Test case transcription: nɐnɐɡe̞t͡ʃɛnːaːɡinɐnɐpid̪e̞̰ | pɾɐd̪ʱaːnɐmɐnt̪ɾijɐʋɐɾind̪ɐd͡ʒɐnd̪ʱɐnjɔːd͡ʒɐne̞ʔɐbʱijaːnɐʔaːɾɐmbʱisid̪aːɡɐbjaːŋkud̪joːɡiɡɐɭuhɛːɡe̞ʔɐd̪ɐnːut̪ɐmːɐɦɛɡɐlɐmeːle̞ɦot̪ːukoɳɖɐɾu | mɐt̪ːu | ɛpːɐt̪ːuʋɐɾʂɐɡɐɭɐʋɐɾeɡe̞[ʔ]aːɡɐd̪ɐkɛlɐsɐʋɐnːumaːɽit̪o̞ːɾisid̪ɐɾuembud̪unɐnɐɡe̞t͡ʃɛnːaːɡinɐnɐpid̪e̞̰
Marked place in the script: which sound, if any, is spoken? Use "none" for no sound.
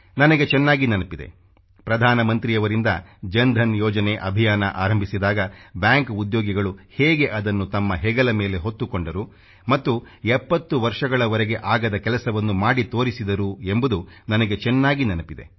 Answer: ʔ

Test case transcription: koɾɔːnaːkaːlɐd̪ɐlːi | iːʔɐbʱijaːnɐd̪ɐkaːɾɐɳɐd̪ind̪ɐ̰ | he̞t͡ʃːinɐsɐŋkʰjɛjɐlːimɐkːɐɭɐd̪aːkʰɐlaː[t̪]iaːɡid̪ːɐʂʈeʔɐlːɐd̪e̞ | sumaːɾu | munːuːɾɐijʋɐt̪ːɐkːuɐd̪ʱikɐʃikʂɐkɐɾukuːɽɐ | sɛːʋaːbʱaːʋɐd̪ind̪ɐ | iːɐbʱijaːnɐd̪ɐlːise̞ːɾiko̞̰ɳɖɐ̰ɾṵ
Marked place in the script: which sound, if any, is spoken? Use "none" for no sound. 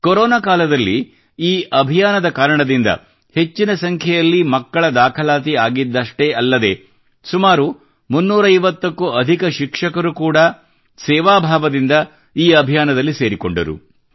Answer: t̪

